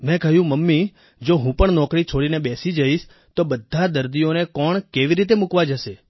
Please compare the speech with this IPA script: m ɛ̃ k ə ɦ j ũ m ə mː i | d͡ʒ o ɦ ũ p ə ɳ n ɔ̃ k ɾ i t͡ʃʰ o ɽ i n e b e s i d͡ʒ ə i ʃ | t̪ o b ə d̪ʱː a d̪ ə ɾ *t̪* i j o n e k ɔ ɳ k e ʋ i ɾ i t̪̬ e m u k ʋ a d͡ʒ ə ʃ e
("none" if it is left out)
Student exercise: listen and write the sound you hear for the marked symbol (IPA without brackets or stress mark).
d̪